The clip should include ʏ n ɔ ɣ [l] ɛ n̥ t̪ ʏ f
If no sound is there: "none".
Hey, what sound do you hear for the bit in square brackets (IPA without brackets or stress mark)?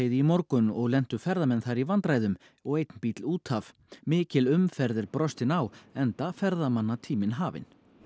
l